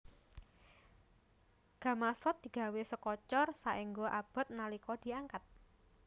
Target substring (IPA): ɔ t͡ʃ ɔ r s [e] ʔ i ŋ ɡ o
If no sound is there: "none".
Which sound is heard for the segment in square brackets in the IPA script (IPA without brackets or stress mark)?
a